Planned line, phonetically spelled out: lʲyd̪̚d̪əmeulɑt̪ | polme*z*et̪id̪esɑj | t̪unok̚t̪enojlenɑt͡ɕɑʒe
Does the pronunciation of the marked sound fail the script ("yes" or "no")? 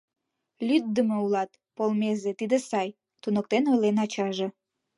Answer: no